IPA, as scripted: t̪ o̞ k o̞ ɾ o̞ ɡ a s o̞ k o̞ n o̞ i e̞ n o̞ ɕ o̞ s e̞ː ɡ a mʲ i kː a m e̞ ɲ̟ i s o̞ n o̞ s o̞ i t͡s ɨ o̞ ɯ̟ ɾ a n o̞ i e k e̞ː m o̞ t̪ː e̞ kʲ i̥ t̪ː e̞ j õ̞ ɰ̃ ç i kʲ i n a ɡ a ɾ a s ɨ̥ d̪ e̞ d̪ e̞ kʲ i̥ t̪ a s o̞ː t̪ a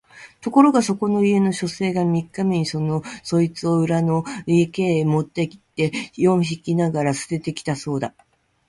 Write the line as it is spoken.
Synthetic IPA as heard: t̪ o̞ k o̞ ɾ o̞ ɡ a s o̞ k o̞ n o̞ i e̞ n o̞ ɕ o̞ s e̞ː ɡ a mʲ i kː a m e̞ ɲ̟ i s o̞ n o̞ s o̞ i t͡s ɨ o̞ ɯ̟ ɾ a n o̞ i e k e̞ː m o̞ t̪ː e̞ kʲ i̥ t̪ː e̞ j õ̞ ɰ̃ ç i kʲ i n a ɡ a ɾ a s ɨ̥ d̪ e̞ t̪ e̞ kʲ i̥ t̪ a s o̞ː d̪ a